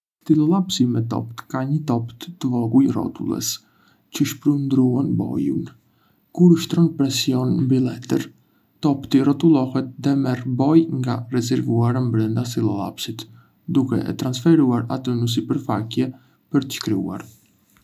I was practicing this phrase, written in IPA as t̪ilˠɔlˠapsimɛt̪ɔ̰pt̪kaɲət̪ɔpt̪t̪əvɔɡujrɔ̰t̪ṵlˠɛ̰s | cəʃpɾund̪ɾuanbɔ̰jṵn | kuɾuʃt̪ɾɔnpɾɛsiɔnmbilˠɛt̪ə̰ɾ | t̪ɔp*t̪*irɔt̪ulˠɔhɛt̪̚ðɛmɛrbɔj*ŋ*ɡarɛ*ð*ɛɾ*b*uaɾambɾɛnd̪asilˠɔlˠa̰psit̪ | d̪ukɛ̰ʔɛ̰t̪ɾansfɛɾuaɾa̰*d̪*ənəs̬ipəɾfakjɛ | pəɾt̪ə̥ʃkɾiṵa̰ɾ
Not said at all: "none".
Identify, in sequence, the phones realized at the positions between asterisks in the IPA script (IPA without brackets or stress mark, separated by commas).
t̪, ŋ, z, v, t̪